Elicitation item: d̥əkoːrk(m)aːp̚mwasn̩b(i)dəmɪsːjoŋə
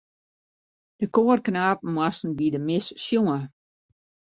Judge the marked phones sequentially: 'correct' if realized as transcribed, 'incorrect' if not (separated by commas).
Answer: incorrect, correct